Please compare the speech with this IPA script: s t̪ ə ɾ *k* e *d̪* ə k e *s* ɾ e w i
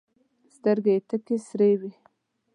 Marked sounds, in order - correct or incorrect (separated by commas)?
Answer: incorrect, incorrect, correct